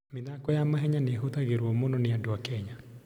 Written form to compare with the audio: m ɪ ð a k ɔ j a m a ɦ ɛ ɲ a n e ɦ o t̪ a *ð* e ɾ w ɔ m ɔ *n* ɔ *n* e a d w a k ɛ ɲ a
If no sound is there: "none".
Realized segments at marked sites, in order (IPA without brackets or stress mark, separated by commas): ɣ, n, n